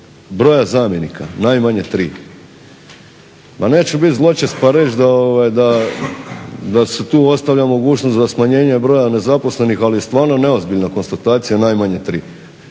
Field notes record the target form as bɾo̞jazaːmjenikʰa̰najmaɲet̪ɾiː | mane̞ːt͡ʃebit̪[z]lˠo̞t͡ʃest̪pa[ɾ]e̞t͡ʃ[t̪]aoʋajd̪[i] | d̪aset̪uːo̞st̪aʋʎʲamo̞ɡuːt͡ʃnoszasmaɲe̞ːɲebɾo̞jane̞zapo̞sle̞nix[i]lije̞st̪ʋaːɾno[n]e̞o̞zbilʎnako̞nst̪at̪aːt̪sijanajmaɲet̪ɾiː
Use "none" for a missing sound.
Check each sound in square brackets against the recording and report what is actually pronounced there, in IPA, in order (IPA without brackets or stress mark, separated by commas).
z, ɾ, d̪, a, a, n